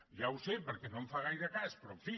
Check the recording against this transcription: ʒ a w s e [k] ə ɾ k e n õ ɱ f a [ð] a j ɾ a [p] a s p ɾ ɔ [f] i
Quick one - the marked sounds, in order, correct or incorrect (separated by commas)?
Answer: incorrect, incorrect, incorrect, correct